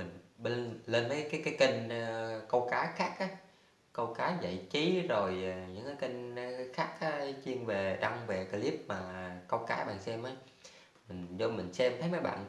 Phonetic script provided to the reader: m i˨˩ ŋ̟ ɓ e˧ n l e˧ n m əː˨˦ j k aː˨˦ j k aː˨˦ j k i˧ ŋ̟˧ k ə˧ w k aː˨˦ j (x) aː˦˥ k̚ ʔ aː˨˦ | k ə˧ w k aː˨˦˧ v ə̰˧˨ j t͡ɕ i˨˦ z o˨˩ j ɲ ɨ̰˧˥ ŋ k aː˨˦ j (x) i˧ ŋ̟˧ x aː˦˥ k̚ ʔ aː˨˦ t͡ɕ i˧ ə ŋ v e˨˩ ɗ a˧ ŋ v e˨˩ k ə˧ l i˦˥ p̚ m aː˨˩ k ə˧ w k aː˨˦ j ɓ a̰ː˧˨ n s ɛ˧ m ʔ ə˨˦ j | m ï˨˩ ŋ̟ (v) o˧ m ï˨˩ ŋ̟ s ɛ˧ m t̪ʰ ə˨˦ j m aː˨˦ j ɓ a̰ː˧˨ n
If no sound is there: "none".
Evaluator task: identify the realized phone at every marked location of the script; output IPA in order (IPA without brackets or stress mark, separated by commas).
x, k, z